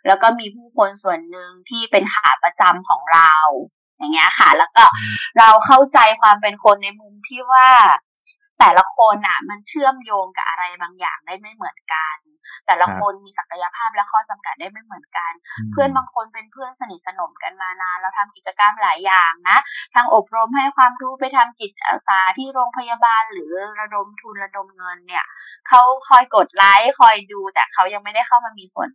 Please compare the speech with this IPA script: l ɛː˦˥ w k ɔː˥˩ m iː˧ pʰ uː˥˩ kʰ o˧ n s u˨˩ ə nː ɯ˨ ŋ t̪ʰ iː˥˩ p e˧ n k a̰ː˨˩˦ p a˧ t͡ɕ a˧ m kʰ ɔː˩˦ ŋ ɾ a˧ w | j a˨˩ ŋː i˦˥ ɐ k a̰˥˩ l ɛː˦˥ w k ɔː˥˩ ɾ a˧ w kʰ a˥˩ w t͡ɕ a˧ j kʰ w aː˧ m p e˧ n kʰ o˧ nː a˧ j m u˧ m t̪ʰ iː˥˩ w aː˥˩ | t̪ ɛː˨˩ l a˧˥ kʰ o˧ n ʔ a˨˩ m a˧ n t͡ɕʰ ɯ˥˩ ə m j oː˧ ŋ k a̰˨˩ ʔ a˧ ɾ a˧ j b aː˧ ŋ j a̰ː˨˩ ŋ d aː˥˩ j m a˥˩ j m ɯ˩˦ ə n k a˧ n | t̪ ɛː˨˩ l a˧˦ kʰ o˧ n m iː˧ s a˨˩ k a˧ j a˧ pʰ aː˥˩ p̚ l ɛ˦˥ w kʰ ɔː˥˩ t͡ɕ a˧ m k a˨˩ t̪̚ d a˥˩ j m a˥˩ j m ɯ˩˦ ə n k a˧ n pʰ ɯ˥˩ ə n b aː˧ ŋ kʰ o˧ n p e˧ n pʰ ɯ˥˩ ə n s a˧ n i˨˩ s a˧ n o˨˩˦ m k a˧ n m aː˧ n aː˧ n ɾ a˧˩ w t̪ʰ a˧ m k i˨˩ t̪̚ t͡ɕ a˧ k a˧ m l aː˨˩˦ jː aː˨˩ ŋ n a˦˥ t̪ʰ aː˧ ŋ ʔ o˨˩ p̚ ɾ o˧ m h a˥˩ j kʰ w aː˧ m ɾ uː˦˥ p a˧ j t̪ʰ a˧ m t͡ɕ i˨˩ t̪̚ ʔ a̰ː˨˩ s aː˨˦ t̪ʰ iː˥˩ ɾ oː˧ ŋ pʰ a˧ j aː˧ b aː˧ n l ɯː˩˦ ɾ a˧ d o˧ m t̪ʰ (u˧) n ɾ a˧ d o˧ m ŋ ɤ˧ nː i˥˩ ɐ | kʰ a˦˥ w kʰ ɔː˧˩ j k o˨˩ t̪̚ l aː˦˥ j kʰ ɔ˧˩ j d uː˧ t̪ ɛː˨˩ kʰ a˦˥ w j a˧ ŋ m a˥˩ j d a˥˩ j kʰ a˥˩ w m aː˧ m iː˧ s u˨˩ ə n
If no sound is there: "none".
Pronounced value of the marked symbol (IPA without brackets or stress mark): u˧